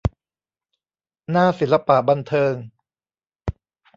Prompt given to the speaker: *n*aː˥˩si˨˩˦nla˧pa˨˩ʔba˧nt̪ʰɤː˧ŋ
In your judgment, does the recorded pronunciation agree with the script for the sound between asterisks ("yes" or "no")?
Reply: yes